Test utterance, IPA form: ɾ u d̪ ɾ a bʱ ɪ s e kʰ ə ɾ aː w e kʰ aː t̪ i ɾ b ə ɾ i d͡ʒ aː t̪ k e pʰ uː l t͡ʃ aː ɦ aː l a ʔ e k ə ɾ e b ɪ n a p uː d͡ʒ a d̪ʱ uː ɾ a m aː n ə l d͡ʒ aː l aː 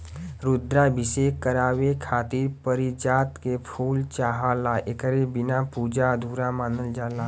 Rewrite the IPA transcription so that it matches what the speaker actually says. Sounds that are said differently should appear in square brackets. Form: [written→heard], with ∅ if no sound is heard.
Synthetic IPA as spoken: ɾ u d̪ ɾ a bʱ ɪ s e [kʰ→k] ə ɾ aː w e kʰ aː t̪ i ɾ [b→p] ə ɾ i d͡ʒ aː t̪ k e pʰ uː l t͡ʃ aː ɦ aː l a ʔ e k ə ɾ e b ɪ n a p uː d͡ʒ a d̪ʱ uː ɾ a m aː n ə l d͡ʒ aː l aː